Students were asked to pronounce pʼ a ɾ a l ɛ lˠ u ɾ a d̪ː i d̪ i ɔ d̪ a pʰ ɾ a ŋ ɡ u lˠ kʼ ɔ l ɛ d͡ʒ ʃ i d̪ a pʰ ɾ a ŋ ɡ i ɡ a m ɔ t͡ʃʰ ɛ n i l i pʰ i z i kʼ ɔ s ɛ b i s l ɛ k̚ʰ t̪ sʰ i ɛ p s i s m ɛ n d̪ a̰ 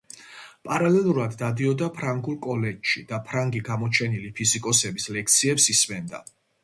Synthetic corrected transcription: pʼ a ɾ a l ɛ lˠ u ɾ a d̪ː a d̪ i ɔ d̪ a pʰ ɾ a ŋ ɡ u lˠ kʼ ɔ l ɛ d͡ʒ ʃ i d̪ a pʰ ɾ a ŋ ɡ i ɡ a m ɔ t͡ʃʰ ɛ n i l i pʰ i z i kʼ ɔ s ɛ b i s l ɛ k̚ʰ t̪ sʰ i ɛ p s i s m ɛ n d̪ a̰